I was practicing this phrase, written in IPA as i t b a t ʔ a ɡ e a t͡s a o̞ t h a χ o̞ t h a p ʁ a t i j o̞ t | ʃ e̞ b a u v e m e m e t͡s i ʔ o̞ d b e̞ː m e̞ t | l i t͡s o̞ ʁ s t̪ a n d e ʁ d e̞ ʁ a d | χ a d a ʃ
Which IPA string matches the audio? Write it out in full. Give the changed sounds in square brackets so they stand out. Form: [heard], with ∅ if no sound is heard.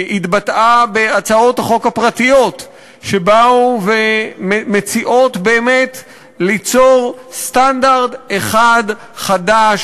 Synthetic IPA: i t b a t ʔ a [b] e a t͡s a o̞ t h a χ o̞ [k] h a p ʁ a t i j o̞ t | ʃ e̞ b a u v e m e m e t͡s i ʔ o̞ [t] b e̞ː m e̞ t | l i t͡s o̞ ʁ s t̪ a n d [a] ʁ d e̞ [χ] a d | χ a d a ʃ